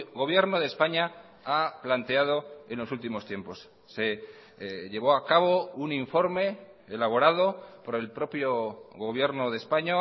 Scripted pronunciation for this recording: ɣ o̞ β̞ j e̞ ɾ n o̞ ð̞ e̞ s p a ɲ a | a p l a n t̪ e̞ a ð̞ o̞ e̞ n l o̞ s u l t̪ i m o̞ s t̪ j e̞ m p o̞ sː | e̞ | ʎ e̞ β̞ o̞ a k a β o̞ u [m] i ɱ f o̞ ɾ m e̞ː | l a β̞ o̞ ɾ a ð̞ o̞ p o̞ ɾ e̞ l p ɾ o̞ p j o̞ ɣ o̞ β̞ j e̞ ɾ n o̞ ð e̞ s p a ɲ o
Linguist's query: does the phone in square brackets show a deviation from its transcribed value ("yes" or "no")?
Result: yes